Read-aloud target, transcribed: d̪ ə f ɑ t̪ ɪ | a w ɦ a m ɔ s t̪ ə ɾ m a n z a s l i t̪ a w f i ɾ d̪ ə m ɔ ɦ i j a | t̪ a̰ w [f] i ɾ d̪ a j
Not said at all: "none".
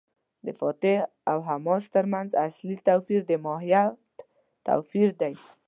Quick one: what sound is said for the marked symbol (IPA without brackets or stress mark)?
f